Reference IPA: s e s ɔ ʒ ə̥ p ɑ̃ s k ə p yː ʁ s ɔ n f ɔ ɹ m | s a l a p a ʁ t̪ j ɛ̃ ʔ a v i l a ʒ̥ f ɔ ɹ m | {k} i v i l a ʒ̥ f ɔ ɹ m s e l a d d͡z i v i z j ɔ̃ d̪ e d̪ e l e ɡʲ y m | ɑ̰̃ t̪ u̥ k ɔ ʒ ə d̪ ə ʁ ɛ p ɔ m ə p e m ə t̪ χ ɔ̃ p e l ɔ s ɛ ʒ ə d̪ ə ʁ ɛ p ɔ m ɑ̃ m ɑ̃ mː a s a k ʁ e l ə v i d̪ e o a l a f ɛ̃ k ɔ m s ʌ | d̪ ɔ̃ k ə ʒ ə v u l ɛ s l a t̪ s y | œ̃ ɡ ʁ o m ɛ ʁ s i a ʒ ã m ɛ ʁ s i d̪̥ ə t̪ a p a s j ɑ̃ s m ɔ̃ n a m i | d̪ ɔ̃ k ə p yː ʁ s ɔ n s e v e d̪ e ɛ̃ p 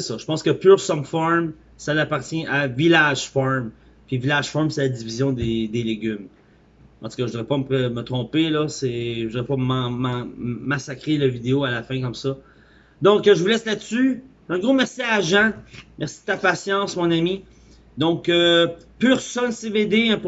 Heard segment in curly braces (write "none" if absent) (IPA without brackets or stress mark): p